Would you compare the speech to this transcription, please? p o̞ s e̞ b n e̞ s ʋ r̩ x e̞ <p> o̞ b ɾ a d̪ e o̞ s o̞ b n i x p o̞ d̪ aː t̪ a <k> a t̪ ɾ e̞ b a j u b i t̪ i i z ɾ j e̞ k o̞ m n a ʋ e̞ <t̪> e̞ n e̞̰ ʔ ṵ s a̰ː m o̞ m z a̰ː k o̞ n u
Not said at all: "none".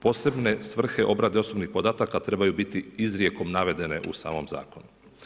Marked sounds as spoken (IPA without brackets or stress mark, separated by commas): ʔ, k, d̪